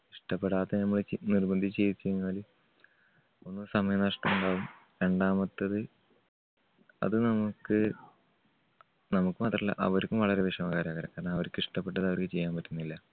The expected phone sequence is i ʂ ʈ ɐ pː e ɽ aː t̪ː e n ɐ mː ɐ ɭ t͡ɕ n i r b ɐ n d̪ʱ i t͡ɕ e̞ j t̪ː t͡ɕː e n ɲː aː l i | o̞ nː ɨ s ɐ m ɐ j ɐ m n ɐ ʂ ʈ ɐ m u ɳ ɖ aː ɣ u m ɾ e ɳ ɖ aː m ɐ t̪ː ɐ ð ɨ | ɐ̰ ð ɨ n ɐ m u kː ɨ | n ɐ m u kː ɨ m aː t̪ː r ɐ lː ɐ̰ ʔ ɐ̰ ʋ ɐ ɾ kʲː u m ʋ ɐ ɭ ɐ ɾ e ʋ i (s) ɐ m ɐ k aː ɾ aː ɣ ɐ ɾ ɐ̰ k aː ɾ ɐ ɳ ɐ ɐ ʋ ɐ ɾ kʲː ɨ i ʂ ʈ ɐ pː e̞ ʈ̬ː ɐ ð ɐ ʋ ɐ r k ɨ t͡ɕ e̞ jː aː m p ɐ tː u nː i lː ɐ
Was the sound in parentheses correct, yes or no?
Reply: no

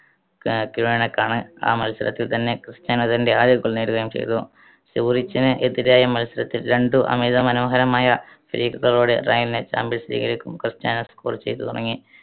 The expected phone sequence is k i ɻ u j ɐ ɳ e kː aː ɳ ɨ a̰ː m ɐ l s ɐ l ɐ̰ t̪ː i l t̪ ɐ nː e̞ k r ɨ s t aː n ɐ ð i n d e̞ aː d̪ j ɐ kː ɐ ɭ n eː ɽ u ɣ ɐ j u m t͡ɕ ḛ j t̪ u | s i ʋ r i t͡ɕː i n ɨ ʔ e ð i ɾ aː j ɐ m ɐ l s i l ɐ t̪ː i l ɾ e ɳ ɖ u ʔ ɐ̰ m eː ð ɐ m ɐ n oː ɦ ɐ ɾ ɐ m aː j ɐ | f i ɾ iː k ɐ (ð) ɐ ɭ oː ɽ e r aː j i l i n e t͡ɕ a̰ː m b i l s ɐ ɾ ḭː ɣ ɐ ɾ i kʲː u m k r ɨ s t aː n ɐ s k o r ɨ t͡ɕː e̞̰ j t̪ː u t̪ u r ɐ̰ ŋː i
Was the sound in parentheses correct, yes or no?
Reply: no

